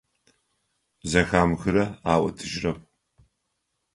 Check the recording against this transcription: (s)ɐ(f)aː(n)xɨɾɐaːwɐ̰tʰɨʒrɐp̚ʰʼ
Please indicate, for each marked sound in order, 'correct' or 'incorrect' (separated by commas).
incorrect, incorrect, incorrect